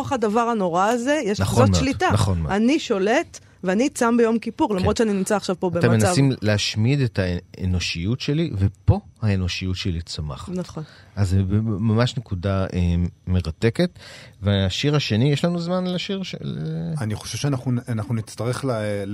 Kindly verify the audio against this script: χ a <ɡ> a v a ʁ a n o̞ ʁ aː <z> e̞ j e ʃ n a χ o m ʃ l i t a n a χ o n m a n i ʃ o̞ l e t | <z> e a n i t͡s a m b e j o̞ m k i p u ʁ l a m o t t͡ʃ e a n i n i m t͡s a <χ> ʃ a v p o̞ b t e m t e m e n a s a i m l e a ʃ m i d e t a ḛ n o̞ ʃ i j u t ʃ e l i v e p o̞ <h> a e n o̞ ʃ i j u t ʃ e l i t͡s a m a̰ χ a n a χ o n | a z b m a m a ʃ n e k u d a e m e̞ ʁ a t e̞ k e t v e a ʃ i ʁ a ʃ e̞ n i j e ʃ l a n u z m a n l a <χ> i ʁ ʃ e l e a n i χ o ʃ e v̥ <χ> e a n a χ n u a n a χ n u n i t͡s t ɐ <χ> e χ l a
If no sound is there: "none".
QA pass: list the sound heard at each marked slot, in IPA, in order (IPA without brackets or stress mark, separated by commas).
d, z, v, χ, h, ʃ, ʃ, ʁ